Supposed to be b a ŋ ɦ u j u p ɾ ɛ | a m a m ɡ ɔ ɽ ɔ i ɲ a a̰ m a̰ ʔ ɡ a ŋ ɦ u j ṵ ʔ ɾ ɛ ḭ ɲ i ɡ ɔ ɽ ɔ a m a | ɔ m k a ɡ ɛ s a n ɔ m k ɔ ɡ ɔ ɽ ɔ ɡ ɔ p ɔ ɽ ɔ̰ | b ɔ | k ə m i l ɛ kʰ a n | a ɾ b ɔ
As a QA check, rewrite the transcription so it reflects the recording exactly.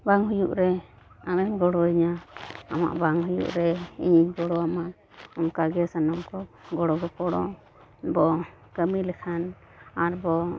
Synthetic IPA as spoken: b a ŋ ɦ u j u ʔ ɾ ɛ | a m ɛ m ɡ ɔ ɽ ɔ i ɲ a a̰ m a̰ ʔ b a ŋ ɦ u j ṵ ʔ ɾ ɛ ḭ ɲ i ɡ ɔ ɽ ɔ a m a | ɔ m k a ɡ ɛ s a n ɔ m k ɔ ɡ ɔ ɽ ɔ ɡ ɔ p ɔ ɽ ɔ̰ | b ɔ | k ə m i l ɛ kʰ a n | a ɾ b ɔ